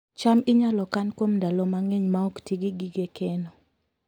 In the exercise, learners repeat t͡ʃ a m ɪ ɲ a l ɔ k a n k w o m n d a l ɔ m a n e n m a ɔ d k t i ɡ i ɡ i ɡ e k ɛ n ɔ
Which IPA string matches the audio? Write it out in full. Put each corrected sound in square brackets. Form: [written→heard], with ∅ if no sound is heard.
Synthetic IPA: t͡ʃ a m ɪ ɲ a l ɔ k a n k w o m n d a l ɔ m a [n→ŋ] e [n→ɲ] m a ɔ [d→∅] k t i ɡ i ɡ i ɡ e k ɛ n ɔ